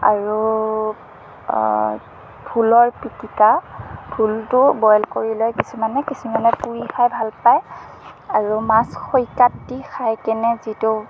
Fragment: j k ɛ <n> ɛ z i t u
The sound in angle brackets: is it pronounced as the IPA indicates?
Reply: yes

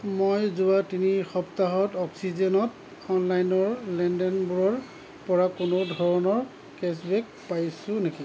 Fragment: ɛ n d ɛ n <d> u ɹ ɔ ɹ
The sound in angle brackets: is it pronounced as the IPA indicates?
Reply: no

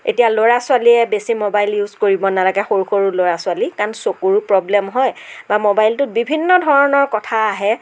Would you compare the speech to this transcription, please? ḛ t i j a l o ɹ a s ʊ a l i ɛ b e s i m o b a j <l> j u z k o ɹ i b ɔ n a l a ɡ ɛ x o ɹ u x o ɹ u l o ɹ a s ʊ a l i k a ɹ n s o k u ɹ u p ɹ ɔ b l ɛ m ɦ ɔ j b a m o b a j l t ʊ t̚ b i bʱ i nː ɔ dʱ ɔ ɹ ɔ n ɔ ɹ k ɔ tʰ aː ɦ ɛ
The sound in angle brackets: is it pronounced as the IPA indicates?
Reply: yes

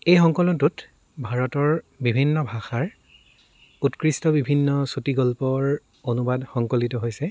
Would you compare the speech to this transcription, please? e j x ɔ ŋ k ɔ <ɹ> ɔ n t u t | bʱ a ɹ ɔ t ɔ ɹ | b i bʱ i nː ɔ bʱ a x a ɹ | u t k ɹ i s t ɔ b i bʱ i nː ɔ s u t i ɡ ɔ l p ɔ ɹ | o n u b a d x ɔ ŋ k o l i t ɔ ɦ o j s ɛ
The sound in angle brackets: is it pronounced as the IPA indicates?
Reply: no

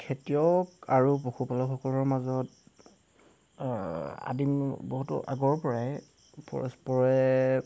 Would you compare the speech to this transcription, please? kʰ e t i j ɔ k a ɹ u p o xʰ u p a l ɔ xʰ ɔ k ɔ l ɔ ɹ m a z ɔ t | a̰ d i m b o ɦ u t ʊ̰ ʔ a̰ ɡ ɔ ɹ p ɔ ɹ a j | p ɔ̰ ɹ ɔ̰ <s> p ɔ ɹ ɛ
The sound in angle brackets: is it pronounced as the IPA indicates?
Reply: yes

